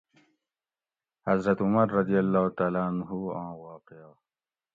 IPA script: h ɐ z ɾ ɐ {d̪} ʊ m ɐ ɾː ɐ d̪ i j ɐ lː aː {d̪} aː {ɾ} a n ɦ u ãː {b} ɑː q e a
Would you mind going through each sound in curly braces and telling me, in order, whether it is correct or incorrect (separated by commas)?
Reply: incorrect, incorrect, incorrect, incorrect